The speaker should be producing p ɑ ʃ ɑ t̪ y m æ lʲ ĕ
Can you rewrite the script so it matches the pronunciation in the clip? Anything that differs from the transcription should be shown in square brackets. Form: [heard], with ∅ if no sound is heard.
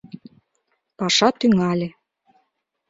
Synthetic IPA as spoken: p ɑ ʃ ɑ t̪ y [ŋ] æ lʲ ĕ

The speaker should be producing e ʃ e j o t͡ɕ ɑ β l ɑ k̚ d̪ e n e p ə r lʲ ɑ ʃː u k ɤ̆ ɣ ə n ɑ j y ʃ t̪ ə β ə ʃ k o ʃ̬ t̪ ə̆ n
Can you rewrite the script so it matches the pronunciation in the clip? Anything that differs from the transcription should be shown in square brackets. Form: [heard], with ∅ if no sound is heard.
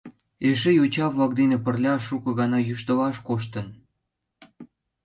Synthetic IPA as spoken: e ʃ e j o t͡ɕ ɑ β l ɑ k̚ d̪ e n e p ə r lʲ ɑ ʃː u k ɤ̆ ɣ [ɑ] n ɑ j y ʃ t̪ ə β [ɑ] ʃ k o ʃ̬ t̪ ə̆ n

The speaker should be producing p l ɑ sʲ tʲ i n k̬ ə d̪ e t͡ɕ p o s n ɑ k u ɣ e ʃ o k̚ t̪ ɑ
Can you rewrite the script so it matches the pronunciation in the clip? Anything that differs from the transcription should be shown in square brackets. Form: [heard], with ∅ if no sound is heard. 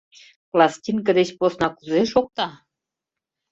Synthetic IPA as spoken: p l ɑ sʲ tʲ i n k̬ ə d̪ e t͡ɕ p o s n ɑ k u [z] e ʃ o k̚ t̪ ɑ

